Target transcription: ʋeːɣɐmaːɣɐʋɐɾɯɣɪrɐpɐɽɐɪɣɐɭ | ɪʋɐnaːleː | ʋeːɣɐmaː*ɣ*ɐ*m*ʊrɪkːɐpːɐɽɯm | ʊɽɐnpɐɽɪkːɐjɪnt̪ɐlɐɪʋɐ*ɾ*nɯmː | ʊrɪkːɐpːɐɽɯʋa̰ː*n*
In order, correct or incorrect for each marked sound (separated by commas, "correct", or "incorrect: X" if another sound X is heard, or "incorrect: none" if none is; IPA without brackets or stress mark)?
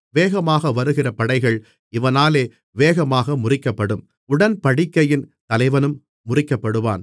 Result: correct, correct, incorrect: none, correct